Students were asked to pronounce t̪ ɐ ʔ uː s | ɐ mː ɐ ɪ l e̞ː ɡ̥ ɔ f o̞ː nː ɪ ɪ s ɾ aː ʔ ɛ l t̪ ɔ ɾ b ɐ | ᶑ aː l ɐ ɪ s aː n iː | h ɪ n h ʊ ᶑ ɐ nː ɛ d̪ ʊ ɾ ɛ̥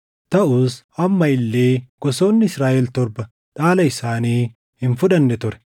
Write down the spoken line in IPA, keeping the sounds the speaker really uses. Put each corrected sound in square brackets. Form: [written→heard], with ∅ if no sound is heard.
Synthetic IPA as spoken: t̪ ɐ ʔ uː s | ɐ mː ɐ ɪ [l→lː] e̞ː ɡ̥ ɔ [f→s] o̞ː nː ɪ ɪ s ɾ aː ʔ ɛ l t̪ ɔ ɾ b ɐ | ᶑ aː l ɐ ɪ s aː n iː | h ɪ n [h→f] ʊ ᶑ ɐ nː ɛ [d̪→t̪] ʊ ɾ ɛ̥